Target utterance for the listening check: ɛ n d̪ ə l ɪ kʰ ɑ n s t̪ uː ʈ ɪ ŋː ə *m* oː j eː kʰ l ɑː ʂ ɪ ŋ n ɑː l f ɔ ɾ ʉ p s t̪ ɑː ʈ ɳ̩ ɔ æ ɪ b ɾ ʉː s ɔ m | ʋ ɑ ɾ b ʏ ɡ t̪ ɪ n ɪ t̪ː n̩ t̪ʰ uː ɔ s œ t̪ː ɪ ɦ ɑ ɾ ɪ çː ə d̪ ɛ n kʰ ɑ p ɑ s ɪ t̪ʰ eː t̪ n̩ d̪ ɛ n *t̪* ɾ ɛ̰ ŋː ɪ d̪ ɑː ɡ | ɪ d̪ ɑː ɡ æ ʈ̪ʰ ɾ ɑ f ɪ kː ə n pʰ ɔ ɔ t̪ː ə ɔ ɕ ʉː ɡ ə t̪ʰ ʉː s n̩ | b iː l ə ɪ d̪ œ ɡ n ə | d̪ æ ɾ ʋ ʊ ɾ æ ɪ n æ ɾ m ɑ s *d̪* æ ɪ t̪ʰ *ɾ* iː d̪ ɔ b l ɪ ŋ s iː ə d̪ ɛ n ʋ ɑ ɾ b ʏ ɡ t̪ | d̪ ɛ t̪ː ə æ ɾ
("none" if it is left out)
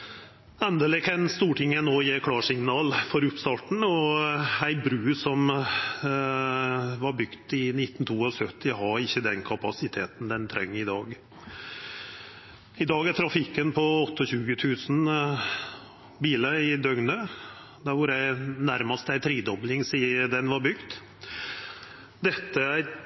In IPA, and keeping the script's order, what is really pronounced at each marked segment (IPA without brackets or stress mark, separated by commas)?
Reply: n, t̪ʰ, t̪, ɾ